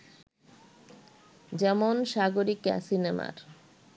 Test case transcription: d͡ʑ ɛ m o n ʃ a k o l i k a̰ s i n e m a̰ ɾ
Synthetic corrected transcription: d͡ʑ ɛ m o n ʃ a ɡ o ɾ i k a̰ s i n e m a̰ ɾ